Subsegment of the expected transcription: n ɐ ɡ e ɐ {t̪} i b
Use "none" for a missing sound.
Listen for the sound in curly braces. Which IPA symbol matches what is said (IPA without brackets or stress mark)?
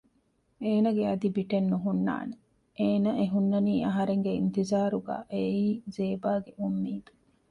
d̪